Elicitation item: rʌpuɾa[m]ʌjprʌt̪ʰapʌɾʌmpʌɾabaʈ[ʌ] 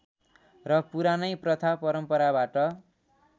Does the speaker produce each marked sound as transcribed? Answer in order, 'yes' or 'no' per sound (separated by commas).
no, yes